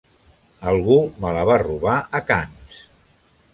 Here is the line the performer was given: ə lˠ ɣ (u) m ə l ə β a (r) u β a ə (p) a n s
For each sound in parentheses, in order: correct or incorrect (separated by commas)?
correct, correct, incorrect